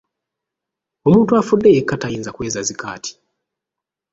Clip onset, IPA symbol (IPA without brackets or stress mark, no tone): o̞